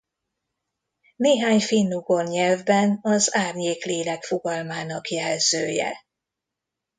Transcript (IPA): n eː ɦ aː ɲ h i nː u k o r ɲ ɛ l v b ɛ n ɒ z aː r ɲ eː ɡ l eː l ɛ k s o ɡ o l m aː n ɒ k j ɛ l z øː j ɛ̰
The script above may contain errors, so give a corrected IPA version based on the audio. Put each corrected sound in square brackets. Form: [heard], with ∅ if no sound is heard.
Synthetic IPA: n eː ɦ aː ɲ [f] i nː u [ɡ] o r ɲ ɛ l v b ɛ n ɒ z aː r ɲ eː [k] l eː l ɛ k [f] o ɡ [ɒ] l m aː n ɒ k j ɛ l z øː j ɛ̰

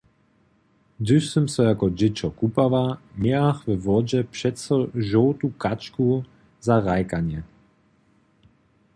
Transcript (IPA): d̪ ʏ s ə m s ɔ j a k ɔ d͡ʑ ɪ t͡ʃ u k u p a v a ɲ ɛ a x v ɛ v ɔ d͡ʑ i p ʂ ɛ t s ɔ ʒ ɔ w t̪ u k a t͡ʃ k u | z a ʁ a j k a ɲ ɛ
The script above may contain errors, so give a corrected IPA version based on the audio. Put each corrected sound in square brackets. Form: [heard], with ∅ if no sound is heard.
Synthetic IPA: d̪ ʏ s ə m s ɔ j a k ɔ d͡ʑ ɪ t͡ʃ [ɔ] k u p a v a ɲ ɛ a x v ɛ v ɔ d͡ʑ [ɛ] p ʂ ɛ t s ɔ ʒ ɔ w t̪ u k a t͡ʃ k u | z a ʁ a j k a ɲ ɛ

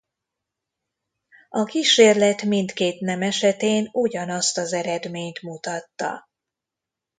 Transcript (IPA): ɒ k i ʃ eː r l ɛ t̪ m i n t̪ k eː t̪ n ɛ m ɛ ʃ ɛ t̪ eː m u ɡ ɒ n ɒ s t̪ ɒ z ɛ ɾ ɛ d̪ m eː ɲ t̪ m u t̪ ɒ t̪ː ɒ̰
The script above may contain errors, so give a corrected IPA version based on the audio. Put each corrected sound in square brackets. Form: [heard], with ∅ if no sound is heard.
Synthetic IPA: ɒ k i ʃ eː r l ɛ t̪ m i n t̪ k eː t̪ n ɛ m ɛ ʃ ɛ t̪ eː [n] u [ɟ] ɒ n ɒ s t̪ ɒ z ɛ ɾ ɛ d̪ m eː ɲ t̪ m u t̪ ɒ t̪ː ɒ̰

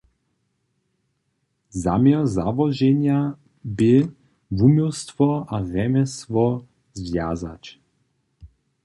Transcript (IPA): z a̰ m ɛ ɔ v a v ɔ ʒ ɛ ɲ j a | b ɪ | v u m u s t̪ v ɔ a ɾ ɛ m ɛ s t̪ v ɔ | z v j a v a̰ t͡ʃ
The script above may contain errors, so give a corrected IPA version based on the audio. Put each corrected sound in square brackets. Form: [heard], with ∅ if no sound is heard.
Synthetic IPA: z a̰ m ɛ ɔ [z] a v ɔ ʒ ɛ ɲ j a | b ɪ | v u m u s t̪ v ɔ a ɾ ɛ m ɛ s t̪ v ɔ | z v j a [z] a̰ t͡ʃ

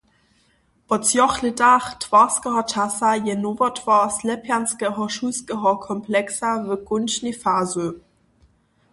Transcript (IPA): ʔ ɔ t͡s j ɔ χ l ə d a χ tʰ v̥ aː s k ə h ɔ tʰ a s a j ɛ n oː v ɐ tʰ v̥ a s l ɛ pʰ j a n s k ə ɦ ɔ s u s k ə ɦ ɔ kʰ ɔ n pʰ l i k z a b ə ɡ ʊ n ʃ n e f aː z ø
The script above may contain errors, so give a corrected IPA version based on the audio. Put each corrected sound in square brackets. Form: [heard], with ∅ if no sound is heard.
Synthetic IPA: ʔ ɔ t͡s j ɔ χ l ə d a χ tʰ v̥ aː s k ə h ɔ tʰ a s a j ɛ n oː v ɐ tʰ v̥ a s l ɛ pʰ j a n s k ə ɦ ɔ [ʃ] u s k ə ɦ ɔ kʰ ɔ [m] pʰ l [ɛ] k [s] a [v] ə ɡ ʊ n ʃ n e f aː z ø

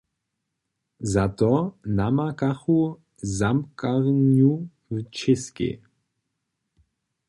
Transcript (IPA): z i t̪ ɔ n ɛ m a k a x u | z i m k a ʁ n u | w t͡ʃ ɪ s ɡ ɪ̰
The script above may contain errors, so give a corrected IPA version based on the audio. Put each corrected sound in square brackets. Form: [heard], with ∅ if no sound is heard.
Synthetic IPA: z [a] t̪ ɔ n [a] m a k a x u | z [a] m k a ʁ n u | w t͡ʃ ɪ s [k] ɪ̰

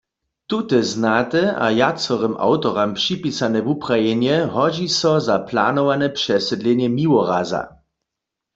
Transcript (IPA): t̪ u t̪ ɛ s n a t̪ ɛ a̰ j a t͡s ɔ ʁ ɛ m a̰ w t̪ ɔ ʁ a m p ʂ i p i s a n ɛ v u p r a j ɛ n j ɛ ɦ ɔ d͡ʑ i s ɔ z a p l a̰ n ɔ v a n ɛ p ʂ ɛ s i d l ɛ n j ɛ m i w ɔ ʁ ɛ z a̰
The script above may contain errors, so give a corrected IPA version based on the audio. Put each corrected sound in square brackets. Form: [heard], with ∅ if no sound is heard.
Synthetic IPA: t̪ u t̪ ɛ [z] n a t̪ ɛ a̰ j a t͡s ɔ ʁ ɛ m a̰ w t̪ ɔ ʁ a m p ʂ i p i s a n ɛ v u p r a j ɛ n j ɛ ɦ ɔ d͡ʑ i s ɔ z a p l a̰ n ɔ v a n ɛ p ʂ ɛ s [ɛ] d l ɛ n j ɛ m i w ɔ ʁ [a] z a̰

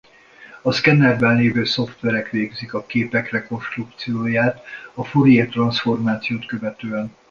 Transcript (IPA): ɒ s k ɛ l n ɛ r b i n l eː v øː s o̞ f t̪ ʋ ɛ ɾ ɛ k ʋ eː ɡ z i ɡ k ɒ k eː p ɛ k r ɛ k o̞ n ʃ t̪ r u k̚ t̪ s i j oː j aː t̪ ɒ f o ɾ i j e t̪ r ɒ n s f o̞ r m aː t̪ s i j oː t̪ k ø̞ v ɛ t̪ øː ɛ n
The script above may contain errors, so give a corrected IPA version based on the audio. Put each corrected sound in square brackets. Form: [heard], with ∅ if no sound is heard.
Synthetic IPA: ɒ s k ɛ [∅] n ɛ r b [ɛ] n l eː v øː s o̞ f t̪ ʋ ɛ ɾ ɛ k ʋ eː ɡ z i [∅] k ɒ k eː p ɛ k r ɛ k o̞ n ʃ t̪ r u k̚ t̪ s i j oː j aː t̪ ɒ f o ɾ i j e t̪ r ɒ n s f o̞ r m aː t̪ s i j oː t̪ k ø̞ v ɛ t̪ øː ɛ n

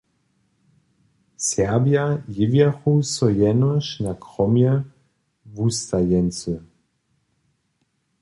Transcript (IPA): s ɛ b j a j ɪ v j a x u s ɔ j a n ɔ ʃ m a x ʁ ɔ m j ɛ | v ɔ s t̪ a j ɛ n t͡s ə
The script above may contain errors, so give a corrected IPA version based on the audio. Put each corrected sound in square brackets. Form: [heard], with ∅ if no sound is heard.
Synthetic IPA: s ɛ b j a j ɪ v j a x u s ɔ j [ɛ] n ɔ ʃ [n] a [k] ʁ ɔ m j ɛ | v [u] s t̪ a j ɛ n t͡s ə

